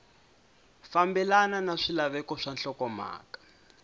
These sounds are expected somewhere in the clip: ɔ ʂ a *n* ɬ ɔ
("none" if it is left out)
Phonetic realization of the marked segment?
n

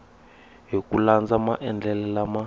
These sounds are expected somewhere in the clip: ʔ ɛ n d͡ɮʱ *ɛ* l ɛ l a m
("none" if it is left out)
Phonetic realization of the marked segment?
ɛ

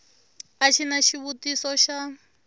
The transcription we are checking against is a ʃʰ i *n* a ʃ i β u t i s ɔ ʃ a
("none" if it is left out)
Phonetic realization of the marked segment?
n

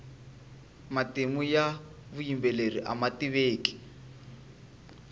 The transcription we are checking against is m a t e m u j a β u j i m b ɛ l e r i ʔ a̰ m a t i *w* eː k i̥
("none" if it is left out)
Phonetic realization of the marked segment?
β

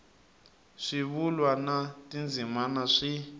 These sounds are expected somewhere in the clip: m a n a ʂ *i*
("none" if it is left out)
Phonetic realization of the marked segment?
i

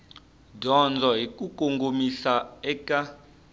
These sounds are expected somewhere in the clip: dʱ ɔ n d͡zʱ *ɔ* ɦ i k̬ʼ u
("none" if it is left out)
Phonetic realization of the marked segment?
ɔ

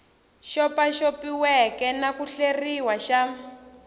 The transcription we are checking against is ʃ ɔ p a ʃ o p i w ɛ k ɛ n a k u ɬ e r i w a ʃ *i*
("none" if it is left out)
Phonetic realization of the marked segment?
a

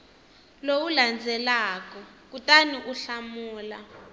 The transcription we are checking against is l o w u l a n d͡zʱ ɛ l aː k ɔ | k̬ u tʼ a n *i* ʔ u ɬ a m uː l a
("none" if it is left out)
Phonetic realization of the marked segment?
i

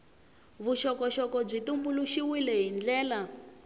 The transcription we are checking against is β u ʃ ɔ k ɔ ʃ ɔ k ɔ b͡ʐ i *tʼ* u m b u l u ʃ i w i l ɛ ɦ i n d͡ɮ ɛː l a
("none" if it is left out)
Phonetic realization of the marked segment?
t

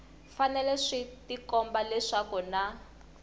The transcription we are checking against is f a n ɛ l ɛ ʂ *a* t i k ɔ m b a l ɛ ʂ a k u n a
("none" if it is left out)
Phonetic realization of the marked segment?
i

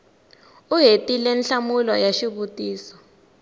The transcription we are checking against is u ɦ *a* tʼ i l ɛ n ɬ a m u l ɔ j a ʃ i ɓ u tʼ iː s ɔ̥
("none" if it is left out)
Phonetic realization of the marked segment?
e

